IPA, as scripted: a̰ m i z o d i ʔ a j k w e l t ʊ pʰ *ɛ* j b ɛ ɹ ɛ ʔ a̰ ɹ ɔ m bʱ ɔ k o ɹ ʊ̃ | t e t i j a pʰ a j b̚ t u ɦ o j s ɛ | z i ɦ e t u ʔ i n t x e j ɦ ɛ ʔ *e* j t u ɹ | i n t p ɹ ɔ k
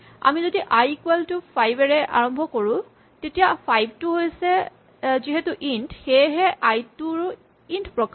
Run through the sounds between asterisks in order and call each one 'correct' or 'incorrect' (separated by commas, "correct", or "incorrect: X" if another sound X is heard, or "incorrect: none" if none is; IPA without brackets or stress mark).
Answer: incorrect: a, incorrect: a